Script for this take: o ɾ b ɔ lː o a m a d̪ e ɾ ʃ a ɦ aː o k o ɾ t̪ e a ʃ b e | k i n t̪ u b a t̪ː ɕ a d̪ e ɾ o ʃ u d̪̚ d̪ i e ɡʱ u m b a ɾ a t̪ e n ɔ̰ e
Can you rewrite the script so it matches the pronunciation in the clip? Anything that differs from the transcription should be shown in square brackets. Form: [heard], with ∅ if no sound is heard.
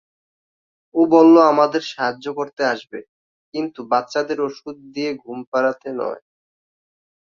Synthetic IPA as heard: o [∅] b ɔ lː o a m a d̪ e ɾ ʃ a ɦ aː o k o ɾ t̪ e a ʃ b e | k i n t̪ u b a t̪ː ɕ a d̪ e ɾ o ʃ u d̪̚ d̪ i e ɡʱ u m [p] a ɾ a t̪ e n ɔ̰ e